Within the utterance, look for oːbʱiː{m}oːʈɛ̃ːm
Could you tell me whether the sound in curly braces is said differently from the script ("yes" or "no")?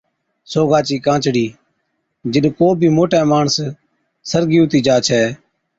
no